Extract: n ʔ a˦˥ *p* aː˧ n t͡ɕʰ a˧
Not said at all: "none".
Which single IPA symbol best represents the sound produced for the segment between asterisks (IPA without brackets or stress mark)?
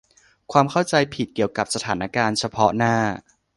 k